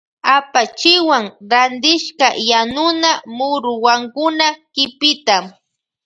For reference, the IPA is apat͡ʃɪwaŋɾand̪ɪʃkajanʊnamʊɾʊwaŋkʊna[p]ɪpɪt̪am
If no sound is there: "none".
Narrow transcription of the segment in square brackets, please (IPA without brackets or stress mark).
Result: k